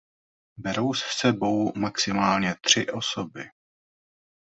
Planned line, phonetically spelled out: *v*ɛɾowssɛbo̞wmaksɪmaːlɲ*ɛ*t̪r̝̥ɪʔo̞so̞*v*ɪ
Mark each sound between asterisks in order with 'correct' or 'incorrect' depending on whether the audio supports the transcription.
incorrect: b, correct, incorrect: b

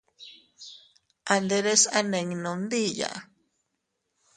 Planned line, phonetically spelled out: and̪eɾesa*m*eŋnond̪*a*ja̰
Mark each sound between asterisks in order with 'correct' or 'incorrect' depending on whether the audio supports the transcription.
incorrect: n, incorrect: i

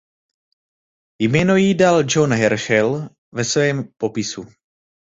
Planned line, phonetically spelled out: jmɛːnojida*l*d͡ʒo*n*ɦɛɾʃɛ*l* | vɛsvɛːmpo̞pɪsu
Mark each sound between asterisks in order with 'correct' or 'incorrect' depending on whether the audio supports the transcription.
correct, correct, correct

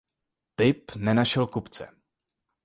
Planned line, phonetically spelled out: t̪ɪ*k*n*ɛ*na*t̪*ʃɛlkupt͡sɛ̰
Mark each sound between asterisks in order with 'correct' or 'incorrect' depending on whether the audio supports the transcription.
incorrect: p, correct, incorrect: none

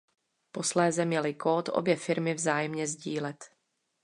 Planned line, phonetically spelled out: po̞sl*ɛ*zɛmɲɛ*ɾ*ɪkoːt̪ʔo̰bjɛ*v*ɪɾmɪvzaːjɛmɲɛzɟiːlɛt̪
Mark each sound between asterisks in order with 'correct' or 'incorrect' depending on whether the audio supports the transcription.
incorrect: ɛː, incorrect: l, incorrect: f

